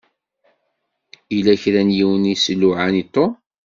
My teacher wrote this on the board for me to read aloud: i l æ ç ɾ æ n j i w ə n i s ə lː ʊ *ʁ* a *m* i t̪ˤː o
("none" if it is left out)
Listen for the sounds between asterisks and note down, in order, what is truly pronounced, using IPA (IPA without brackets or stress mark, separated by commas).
ʕ, n